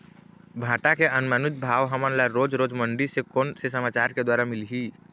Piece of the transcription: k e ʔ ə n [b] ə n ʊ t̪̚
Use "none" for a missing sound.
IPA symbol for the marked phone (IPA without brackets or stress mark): m